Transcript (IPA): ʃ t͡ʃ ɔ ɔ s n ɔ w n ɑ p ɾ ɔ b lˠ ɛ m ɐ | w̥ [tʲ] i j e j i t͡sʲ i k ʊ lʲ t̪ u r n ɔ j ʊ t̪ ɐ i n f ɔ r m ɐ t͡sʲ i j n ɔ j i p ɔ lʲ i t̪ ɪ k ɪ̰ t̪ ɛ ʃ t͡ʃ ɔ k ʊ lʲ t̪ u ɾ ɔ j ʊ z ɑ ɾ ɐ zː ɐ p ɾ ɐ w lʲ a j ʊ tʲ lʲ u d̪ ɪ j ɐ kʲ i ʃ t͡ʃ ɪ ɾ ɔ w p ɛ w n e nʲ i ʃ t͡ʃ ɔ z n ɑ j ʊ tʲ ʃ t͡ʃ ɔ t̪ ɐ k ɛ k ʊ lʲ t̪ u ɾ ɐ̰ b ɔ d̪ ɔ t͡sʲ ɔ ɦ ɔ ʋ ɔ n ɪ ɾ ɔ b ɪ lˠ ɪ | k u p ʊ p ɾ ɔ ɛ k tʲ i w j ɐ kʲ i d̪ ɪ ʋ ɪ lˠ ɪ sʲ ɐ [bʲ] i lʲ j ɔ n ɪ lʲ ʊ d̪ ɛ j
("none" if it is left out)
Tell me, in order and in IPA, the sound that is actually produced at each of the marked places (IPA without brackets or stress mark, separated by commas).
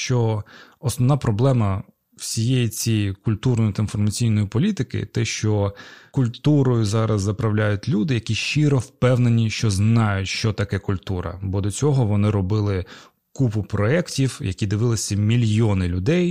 sʲ, mʲ